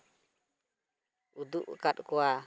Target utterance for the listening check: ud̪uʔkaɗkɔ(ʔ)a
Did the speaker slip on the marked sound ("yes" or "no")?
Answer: yes